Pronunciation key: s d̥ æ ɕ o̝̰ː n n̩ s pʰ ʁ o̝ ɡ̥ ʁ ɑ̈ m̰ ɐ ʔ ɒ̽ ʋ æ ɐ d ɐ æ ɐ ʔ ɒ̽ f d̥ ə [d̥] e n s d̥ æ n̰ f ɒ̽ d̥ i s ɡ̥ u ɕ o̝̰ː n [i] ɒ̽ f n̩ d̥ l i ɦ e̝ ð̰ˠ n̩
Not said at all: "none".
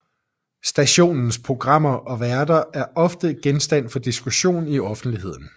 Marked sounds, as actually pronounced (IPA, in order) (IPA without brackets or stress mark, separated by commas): ɡ̥, i